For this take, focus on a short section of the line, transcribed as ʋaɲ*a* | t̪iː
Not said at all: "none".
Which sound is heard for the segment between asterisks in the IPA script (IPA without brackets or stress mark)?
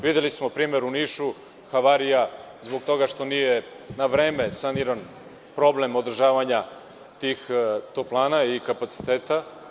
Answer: a